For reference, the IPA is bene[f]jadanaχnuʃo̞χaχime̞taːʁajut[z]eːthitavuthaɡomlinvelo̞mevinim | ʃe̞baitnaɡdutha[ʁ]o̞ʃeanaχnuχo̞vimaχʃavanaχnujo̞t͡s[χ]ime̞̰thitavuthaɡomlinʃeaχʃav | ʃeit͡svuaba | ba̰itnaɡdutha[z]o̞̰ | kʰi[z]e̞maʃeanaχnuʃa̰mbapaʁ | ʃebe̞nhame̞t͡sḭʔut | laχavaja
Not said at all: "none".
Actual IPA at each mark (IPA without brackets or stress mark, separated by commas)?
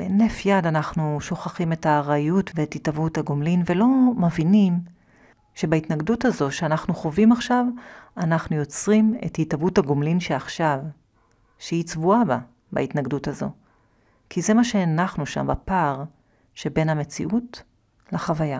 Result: f, v, z, ʁ, z, z